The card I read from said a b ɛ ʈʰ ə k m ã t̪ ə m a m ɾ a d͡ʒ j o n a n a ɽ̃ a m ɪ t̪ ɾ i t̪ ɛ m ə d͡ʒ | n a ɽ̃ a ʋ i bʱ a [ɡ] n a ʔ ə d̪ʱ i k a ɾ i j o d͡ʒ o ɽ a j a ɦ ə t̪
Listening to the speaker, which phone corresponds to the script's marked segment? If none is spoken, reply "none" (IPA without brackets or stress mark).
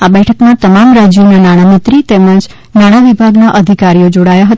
ɡ